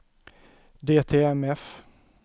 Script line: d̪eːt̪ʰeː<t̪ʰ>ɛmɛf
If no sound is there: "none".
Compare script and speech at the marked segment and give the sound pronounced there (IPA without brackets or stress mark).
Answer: none